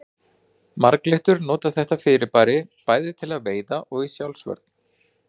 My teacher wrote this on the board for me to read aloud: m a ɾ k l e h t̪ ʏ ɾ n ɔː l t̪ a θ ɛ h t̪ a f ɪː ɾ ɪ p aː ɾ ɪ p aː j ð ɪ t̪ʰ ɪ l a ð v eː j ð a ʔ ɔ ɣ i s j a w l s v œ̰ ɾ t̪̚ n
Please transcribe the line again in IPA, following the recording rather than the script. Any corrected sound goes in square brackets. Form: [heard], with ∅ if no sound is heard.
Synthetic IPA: m a ɾ k l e h t̪ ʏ ɾ n ɔː [∅] t̪ a θ ɛ h t̪ a f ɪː ɾ ɪ p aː ɾ ɪ p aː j ð ɪ t̪ʰ ɪ l a ð v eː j ð a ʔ ɔ ɣ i s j a w l s v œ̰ ɾ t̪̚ n